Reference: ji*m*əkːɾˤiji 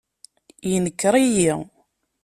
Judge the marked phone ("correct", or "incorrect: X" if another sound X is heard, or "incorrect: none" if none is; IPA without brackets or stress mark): incorrect: n